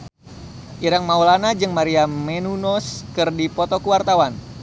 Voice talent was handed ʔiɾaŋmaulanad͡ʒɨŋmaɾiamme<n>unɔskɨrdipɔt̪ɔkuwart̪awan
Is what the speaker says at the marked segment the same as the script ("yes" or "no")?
yes